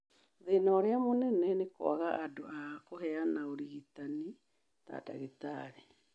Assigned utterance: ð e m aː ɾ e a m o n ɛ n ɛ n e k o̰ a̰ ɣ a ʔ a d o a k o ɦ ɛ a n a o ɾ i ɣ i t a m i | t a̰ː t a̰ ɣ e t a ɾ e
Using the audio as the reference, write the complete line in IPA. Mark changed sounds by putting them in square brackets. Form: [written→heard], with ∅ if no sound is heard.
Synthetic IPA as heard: ð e [m→n] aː ɾ e a m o n ɛ n ɛ n e k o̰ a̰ ɣ a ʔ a d o a k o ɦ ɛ a n a o ɾ i ɣ i t a [m→n] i | t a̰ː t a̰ ɣ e t a ɾ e